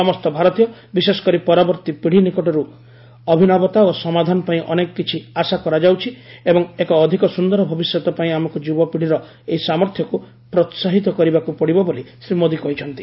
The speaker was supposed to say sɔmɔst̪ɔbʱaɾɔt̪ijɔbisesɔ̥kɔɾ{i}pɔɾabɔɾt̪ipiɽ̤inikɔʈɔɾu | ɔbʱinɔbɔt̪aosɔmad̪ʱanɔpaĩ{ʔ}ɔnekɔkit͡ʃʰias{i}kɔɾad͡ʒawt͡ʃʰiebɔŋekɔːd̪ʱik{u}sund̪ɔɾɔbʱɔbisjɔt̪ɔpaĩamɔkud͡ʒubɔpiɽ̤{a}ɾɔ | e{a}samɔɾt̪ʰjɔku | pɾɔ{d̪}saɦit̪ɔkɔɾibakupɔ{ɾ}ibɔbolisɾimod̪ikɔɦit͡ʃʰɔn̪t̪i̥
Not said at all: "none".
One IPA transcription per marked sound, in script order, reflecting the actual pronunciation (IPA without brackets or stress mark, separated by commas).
i, ʔ, a, ɔ, i, i, t̪, ɽ